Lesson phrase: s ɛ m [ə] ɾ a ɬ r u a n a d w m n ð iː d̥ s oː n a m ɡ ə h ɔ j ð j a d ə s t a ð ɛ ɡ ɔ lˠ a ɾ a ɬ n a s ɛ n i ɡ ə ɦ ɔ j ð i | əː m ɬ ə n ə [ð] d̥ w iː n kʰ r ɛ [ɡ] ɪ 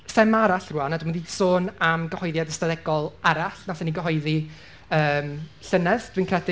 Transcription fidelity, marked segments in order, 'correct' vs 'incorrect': incorrect: a, correct, incorrect: d

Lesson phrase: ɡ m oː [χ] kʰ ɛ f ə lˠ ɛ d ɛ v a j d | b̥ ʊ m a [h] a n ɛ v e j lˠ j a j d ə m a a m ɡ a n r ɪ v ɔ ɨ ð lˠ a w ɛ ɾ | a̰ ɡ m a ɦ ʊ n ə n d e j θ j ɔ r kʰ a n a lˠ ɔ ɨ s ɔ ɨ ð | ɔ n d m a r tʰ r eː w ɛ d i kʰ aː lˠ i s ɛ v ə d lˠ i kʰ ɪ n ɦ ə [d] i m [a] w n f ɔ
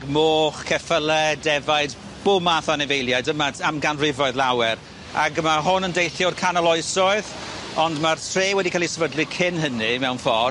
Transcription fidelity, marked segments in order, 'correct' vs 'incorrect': correct, incorrect: θ, incorrect: n, incorrect: ɛ

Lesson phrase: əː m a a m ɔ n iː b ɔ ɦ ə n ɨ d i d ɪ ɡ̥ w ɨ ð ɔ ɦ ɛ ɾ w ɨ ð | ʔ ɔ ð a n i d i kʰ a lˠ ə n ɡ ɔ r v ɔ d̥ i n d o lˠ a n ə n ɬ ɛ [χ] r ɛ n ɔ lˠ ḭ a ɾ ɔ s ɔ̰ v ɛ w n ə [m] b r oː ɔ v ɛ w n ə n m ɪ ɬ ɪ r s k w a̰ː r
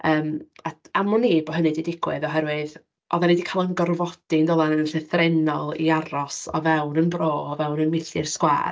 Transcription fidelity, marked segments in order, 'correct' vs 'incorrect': incorrect: θ, incorrect: n

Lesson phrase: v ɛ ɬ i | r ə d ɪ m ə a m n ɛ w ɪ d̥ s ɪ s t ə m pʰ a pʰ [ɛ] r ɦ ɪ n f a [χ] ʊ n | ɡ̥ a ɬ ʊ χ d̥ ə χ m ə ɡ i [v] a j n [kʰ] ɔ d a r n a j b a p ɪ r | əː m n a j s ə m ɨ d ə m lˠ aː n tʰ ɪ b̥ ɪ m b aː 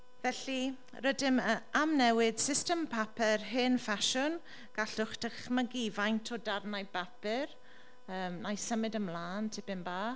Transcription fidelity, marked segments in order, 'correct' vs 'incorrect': correct, incorrect: ʃ, correct, incorrect: tʰ

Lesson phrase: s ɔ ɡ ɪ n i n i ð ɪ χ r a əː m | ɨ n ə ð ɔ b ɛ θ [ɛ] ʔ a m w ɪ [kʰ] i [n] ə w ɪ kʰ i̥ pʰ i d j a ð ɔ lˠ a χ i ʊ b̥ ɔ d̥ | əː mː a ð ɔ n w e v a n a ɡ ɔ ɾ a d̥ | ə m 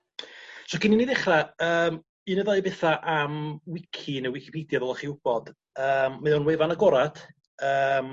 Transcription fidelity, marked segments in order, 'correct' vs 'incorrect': incorrect: a, correct, correct

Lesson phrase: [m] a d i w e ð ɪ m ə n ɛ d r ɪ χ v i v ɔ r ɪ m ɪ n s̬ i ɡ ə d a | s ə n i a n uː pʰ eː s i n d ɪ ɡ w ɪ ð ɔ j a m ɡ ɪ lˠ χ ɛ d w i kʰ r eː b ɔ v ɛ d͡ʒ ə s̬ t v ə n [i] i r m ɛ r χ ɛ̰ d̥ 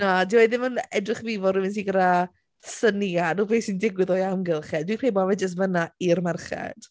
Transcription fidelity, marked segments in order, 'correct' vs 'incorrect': incorrect: n, incorrect: a

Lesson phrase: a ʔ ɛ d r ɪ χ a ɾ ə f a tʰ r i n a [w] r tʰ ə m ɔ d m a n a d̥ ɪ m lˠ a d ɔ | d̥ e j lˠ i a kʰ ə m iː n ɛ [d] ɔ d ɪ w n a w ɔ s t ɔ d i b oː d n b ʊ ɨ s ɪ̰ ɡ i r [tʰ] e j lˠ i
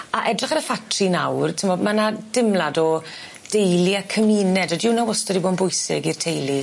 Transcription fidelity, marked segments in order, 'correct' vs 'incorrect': correct, correct, correct

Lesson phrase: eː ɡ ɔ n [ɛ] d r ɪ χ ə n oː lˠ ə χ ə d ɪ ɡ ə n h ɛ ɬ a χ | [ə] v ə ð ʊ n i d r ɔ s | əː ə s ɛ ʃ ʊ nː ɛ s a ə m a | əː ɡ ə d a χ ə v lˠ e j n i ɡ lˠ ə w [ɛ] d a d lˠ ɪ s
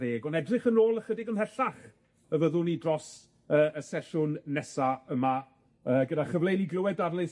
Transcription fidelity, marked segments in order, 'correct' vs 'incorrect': correct, correct, correct

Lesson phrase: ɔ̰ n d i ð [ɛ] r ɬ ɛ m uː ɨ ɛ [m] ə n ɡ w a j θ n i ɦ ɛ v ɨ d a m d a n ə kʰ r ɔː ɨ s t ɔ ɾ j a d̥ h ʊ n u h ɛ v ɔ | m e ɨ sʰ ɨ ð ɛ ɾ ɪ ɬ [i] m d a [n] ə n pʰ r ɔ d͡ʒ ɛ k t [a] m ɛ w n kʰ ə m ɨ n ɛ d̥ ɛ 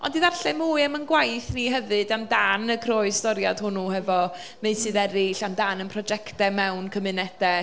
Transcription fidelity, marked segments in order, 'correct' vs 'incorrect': incorrect: a, correct, incorrect: a, correct, incorrect: ɛ

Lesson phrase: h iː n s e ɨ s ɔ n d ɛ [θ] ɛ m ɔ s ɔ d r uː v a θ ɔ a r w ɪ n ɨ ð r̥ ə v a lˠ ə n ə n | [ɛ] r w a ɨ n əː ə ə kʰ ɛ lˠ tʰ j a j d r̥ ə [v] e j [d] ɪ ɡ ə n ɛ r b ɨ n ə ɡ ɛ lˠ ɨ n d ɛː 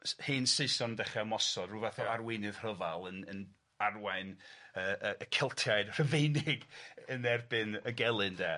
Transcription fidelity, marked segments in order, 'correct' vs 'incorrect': incorrect: χ, incorrect: a, correct, incorrect: n

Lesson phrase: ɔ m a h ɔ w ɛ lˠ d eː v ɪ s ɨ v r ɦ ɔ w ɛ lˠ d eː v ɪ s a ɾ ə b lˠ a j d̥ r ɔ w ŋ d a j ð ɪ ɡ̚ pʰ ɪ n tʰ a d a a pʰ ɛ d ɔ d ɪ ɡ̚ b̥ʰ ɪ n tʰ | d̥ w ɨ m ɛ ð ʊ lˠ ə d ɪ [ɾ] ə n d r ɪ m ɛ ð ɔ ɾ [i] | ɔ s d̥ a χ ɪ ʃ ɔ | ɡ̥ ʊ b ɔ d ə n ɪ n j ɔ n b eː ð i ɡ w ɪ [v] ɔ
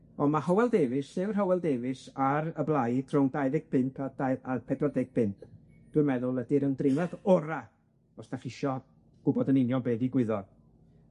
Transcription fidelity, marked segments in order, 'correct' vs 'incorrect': correct, incorrect: a, incorrect: ð

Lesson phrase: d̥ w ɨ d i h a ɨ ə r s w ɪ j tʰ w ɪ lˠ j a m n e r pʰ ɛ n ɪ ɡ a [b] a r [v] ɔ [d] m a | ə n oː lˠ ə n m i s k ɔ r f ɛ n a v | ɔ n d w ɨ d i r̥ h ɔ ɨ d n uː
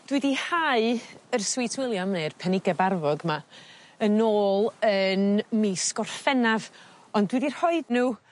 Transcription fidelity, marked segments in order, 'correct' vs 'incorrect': correct, correct, incorrect: ɡ

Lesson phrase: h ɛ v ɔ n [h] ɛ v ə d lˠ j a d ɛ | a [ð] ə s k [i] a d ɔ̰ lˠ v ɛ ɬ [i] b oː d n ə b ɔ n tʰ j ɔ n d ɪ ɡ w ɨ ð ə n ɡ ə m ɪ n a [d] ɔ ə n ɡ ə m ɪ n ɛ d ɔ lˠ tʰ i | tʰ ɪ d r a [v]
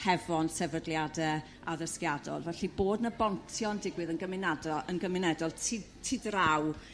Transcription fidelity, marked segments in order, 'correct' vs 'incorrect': incorrect: s, correct, incorrect: j, correct, correct, incorrect: w

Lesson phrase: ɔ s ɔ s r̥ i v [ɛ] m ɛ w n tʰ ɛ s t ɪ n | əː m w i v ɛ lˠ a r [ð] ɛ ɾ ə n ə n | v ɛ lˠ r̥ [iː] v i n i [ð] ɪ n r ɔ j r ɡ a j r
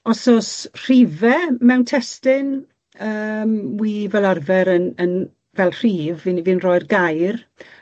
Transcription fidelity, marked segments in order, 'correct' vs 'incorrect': correct, incorrect: v, correct, incorrect: v

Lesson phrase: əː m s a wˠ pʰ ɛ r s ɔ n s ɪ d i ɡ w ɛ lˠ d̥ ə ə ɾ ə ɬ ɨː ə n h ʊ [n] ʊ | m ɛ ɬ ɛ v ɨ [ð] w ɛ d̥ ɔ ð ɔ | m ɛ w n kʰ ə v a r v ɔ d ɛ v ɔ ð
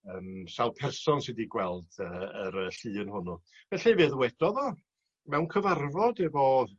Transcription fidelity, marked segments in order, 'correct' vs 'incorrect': correct, correct

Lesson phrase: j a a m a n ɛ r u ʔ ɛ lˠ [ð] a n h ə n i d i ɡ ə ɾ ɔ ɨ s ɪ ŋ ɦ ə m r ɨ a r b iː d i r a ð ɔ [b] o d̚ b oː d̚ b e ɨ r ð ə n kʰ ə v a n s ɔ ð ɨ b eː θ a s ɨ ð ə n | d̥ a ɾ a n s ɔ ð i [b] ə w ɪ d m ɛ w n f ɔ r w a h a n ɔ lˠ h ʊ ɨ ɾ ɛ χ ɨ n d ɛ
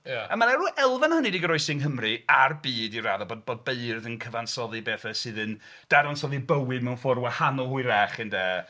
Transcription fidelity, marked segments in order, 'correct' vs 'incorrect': incorrect: v, correct, correct

